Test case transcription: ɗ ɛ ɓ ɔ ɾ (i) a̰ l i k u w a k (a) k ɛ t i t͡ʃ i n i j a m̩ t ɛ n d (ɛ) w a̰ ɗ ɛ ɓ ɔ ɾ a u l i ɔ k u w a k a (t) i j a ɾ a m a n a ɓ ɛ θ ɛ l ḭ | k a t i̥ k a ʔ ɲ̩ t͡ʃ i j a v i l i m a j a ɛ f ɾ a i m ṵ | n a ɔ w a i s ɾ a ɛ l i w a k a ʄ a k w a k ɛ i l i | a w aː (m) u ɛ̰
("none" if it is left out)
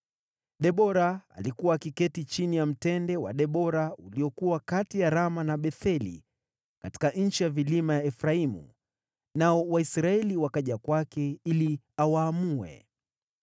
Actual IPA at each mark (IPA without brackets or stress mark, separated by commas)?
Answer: a, i, ɛ, t, m